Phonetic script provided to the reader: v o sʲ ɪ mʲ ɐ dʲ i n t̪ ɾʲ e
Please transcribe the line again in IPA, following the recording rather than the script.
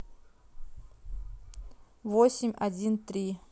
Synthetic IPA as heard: v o sʲ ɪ mʲ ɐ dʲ i n t̪ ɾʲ i